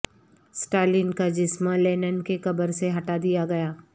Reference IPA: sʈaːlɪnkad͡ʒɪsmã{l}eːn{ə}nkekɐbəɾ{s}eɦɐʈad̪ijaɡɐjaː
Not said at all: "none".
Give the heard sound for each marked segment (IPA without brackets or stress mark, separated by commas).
l, ə, s